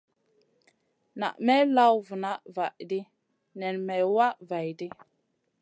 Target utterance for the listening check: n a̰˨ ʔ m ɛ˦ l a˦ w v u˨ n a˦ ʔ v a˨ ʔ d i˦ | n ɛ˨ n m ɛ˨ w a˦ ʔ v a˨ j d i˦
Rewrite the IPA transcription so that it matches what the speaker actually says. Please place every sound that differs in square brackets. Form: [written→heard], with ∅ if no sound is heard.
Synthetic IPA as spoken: n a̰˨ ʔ m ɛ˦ l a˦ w v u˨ n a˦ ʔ v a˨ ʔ d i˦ | n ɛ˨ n m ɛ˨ w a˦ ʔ v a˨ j d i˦